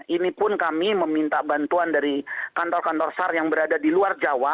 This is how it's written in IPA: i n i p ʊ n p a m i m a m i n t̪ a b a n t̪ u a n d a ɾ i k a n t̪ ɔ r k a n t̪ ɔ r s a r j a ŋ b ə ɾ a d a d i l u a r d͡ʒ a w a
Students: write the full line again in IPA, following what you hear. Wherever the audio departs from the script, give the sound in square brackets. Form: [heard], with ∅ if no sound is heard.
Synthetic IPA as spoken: i n i p ʊ n [k] a m i m [ə] m i n t̪ a b a n t̪ u a n d a ɾ i k a n t̪ ɔ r k a n t̪ ɔ r s a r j a ŋ b ə ɾ a d a d i l u a r d͡ʒ a w a